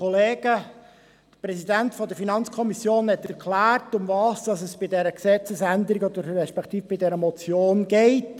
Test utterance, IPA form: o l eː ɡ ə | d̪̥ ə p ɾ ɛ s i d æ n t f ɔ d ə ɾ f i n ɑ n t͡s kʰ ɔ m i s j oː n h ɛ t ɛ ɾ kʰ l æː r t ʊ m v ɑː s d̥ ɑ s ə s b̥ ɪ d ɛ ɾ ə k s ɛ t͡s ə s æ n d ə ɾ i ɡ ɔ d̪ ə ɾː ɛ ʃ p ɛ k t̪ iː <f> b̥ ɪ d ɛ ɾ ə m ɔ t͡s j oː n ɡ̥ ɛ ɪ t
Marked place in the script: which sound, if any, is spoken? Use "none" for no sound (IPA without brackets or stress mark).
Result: f